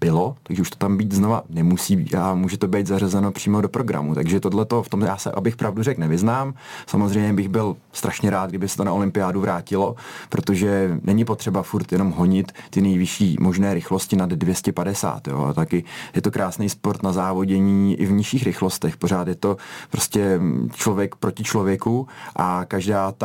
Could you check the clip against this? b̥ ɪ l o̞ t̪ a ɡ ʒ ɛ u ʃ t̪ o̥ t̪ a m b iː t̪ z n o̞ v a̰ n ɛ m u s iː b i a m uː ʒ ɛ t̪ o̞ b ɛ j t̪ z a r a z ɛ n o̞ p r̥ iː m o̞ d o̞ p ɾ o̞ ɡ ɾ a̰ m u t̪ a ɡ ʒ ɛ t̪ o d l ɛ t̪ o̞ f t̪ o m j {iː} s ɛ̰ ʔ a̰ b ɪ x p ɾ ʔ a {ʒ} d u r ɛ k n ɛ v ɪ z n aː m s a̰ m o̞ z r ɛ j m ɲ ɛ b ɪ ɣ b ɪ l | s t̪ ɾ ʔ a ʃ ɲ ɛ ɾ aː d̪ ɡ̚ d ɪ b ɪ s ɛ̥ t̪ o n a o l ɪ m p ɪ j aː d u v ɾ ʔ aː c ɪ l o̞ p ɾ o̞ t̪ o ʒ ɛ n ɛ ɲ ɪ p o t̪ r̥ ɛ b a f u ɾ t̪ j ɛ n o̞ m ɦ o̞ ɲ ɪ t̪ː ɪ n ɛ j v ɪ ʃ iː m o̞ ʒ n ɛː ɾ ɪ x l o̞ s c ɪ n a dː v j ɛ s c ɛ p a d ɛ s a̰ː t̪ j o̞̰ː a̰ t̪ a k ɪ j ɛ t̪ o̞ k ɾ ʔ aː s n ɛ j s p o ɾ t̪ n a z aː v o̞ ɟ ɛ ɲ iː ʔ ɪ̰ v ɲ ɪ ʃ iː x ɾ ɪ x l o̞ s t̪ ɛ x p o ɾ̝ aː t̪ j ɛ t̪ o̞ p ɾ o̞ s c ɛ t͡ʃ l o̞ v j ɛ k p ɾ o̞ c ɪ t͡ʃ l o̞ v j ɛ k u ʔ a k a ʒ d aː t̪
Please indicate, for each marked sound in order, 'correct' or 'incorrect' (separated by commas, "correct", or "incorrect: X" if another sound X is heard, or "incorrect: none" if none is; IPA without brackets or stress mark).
incorrect: aː, incorrect: v